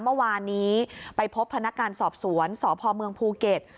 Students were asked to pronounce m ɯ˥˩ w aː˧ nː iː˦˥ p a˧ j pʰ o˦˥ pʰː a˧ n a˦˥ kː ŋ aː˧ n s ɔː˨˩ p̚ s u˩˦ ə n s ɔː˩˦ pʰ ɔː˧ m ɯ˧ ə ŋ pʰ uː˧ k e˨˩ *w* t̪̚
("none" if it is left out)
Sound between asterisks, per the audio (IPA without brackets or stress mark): none